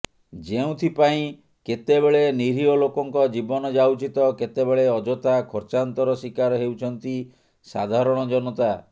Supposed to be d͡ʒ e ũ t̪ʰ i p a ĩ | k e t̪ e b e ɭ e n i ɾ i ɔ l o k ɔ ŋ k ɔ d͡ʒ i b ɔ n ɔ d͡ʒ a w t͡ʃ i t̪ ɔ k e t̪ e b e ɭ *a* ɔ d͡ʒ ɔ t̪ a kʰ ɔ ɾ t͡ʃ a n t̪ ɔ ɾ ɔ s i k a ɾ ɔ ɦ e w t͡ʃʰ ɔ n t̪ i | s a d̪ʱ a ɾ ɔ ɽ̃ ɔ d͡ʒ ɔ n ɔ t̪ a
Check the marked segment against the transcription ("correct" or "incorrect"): incorrect